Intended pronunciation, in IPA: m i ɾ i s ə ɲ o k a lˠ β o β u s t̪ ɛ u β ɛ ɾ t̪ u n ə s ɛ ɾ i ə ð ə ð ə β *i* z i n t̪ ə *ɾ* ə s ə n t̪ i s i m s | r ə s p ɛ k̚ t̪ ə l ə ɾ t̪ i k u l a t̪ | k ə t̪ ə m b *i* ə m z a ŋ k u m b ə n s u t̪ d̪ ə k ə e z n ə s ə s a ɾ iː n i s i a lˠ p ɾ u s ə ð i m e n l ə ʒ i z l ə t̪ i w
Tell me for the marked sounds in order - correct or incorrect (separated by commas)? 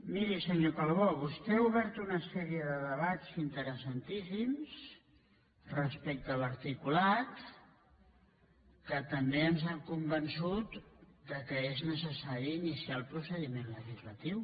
incorrect, correct, incorrect